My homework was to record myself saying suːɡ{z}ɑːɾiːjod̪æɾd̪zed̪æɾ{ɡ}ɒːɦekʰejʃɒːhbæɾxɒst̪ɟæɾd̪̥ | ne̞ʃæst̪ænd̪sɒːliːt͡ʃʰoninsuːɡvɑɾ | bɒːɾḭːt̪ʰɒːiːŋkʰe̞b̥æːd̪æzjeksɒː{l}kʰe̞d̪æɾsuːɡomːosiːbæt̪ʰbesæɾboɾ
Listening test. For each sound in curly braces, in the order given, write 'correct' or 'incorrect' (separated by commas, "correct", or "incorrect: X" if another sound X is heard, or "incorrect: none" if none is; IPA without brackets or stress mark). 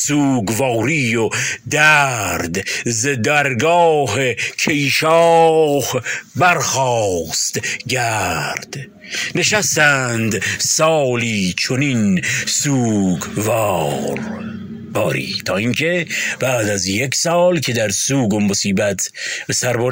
incorrect: v, correct, correct